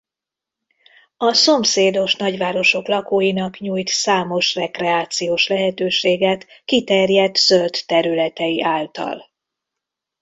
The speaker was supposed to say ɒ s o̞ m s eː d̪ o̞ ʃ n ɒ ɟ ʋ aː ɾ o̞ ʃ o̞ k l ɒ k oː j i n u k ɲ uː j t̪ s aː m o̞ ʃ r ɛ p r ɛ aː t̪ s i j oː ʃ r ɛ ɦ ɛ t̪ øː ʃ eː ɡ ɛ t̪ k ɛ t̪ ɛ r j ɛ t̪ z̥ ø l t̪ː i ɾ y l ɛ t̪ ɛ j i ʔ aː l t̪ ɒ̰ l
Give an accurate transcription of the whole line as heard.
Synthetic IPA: ɒ s o̞ m s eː d̪ o̞ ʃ n ɒ ɟ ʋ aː ɾ o̞ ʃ o̞ k l ɒ k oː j i n ɒ k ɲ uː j t̪ s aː m o̞ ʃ r ɛ k r ɛ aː t̪ s i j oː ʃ l ɛ ɦ ɛ t̪ øː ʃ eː ɡ ɛ t̪ k i t̪ ɛ r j ɛ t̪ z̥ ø l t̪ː ɛ ɾ y l ɛ t̪ ɛ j i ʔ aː l t̪ ɒ̰ l